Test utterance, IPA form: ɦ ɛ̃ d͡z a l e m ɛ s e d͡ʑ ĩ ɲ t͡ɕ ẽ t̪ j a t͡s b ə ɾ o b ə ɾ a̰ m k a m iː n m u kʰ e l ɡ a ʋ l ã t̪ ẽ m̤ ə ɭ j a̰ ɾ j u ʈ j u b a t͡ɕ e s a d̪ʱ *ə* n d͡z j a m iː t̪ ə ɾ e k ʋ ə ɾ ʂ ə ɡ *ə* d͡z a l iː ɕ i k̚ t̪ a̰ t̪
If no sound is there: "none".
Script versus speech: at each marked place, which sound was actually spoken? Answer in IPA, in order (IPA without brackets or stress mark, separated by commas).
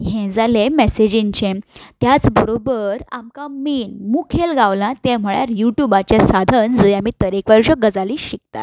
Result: ə, ə